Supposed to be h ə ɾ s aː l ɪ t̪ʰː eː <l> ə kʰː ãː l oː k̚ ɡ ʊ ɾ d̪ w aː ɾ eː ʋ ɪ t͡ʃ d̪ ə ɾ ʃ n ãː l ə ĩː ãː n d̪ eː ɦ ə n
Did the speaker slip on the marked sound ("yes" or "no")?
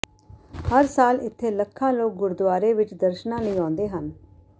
no